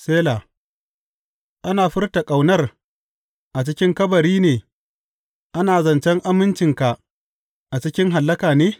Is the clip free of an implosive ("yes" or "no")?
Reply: yes